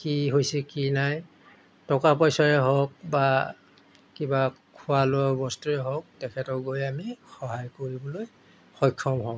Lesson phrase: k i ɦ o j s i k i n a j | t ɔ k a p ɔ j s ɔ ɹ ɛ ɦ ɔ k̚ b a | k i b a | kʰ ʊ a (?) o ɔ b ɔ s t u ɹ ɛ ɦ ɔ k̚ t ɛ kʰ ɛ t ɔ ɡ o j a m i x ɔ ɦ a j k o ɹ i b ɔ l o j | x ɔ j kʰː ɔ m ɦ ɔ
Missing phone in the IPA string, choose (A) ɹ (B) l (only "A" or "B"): B